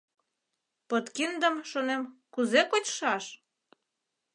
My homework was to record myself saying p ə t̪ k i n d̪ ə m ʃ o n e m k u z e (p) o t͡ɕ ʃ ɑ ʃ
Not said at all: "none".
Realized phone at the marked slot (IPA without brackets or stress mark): k